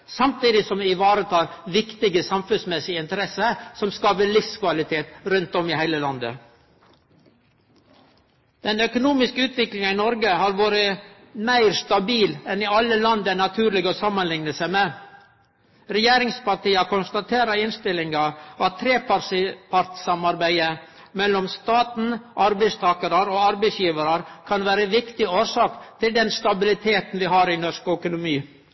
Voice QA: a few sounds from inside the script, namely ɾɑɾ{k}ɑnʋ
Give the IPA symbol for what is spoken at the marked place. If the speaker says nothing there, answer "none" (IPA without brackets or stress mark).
kʰ